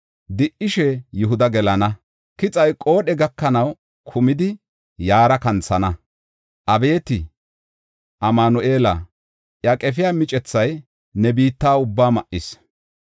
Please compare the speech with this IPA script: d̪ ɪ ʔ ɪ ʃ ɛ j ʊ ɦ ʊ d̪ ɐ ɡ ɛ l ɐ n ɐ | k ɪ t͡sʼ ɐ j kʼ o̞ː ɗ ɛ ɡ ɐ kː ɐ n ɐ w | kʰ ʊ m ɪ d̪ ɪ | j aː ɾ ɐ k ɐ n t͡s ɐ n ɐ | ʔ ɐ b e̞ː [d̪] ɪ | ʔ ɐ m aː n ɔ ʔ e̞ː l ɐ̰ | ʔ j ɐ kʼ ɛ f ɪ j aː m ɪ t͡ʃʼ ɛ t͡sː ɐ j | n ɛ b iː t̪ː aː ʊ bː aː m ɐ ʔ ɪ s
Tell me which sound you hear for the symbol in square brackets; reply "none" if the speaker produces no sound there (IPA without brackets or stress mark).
t̪